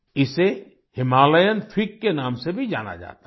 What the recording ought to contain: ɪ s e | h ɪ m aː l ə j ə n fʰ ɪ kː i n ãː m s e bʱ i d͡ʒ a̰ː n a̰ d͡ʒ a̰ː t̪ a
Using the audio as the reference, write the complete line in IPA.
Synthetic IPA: ɪ s e | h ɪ m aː l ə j ə n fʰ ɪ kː e n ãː m s e bʱ i d͡ʒ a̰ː n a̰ d͡ʒ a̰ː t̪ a